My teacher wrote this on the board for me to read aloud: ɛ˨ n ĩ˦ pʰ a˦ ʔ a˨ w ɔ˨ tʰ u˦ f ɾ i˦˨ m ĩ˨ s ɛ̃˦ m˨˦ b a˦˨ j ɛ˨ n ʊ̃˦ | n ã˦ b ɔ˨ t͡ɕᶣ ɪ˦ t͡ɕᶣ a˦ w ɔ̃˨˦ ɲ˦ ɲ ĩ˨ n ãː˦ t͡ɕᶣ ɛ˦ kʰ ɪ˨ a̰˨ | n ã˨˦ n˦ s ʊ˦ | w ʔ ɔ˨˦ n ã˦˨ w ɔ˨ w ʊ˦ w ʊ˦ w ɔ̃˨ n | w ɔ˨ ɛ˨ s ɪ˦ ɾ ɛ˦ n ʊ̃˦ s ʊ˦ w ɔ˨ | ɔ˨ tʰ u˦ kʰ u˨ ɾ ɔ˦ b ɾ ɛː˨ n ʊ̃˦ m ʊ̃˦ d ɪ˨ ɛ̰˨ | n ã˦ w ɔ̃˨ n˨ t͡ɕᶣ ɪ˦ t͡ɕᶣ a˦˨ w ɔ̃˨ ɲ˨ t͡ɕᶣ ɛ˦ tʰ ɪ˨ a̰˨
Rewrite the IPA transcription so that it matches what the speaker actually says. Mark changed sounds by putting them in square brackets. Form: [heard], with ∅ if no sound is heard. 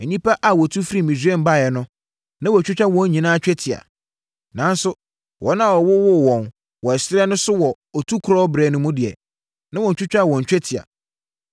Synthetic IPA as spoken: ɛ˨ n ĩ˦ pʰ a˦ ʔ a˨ w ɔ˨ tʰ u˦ f ɾ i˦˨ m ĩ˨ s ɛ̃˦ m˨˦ b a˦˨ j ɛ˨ n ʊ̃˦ | n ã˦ [w] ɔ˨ t͡ɕᶣ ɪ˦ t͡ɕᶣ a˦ w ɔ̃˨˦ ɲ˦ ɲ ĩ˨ n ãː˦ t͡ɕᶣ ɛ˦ [tʰ] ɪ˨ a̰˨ | n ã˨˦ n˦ s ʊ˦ | w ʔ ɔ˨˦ n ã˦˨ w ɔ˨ w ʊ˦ w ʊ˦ w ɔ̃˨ n | w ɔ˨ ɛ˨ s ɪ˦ ɾ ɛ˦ n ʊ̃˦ s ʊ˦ w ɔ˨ | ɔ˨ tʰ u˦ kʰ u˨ ɾ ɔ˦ b ɾ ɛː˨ n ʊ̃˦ m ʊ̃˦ d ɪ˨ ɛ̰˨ | n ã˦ w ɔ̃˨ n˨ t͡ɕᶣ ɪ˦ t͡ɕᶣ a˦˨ w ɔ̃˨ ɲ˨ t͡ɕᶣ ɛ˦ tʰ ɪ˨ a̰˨